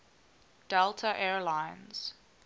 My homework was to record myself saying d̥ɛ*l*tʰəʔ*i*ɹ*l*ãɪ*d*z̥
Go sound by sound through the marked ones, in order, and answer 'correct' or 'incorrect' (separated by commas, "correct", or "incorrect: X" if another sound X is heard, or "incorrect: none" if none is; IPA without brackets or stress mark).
correct, incorrect: ɛ, correct, incorrect: n